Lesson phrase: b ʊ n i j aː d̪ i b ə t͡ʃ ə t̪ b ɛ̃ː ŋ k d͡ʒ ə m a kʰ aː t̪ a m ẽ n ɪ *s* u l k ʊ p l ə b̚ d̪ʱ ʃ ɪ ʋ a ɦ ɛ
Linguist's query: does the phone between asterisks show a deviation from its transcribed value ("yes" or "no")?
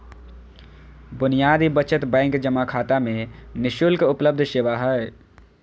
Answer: yes